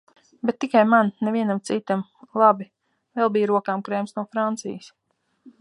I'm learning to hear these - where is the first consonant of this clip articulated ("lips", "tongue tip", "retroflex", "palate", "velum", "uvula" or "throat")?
lips